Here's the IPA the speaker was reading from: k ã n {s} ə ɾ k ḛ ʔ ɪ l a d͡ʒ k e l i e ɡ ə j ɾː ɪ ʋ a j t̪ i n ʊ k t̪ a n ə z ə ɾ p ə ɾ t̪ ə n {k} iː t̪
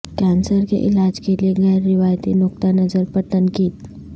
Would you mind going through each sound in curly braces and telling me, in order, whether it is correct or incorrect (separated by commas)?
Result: correct, correct